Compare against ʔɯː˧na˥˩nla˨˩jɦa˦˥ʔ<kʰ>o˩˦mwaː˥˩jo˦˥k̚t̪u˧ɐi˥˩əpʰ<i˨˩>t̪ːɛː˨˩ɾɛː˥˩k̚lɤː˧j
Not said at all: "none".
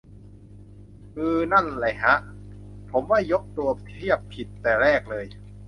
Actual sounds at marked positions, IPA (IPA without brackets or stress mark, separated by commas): pʰ, i˨˩